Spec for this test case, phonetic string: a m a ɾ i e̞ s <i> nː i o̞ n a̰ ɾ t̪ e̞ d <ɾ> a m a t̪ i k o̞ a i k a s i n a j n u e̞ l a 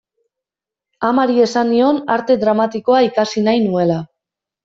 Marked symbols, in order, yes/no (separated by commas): no, yes